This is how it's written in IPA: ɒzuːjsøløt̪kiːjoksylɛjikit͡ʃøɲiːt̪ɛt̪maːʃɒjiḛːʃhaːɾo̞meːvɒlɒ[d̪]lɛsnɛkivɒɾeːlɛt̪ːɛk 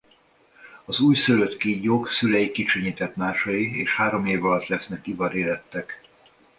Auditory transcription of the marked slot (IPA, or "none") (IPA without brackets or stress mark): t̪